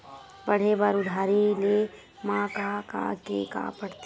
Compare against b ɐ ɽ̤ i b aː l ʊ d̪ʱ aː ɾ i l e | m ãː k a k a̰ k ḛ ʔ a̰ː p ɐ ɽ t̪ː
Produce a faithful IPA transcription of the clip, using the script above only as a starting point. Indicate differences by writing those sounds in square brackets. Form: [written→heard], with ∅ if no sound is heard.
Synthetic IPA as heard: b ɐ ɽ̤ [i→e] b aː [l→ɾ] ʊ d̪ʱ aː ɾ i l e | m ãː k a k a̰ k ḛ [ʔ→k] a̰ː p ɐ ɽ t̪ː